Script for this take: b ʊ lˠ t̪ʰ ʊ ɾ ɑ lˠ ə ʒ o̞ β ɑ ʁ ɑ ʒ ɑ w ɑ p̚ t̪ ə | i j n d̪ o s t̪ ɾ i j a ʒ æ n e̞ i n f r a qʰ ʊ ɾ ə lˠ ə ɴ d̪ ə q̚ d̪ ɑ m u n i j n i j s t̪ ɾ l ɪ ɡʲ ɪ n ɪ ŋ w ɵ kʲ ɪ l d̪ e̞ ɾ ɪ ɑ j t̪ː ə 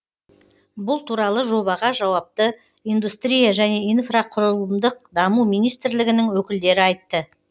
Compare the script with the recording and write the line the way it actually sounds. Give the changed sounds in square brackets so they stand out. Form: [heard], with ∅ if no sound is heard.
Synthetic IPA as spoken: b ʊ lˠ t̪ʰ [u] ɾ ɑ lˠ ə ʒ o̞ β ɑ ʁ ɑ ʒ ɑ w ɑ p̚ t̪ ə | i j n d̪ [u] s t̪ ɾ i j a ʒ æ n e̞ i n f r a qʰ ʊ ɾ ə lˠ ə [m] d̪ ə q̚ d̪ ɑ m u [m] i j n i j s t̪ ɾ l ɪ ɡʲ ɪ n ɪ ŋ w ɵ kʲ ɪ l d̪ e̞ ɾ ɪ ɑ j t̪ː ə